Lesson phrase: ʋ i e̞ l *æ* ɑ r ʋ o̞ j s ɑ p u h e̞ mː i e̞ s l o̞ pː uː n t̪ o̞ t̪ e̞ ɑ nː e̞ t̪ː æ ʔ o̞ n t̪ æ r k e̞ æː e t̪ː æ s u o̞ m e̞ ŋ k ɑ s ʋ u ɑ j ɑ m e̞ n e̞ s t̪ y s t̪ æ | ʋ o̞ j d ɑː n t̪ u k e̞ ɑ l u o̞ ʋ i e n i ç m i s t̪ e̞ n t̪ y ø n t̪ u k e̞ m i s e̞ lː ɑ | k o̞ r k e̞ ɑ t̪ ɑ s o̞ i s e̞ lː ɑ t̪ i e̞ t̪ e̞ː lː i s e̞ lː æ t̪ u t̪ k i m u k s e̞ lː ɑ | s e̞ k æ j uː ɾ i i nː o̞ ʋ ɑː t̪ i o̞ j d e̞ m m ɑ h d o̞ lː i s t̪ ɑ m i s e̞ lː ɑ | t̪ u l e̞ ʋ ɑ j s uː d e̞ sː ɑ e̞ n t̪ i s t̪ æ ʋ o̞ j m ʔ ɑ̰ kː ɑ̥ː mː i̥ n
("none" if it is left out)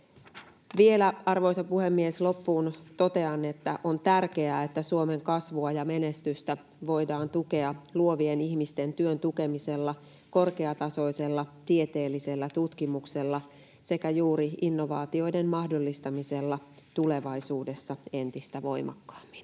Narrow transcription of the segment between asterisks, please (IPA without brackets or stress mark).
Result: æ